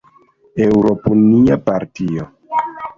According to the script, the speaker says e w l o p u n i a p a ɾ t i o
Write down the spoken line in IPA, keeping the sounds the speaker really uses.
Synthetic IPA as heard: e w ɾ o p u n i a p a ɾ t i o